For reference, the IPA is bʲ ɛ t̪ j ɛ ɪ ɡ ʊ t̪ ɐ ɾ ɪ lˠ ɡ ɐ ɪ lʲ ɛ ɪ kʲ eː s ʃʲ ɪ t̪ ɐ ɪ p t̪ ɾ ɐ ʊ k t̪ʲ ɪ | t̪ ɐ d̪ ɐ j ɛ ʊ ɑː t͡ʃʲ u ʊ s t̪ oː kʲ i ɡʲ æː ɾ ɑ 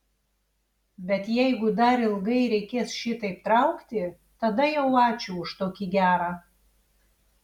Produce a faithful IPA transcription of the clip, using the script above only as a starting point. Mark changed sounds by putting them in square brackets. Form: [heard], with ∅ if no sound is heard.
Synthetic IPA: bʲ ɛ t̪ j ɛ ɪ ɡ ʊ [d̪] ɐ ɾ ɪ lˠ ɡ ɐ ɪ [ɾʲ] ɛ ɪ kʲ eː s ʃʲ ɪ t̪ ɐ ɪ p t̪ ɾ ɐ ʊ k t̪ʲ ɪ | t̪ ɐ d̪ ɐ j ɛ ʊ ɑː t͡ʃʲ u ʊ [ʃ] t̪ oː kʲ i ɡʲ æː ɾ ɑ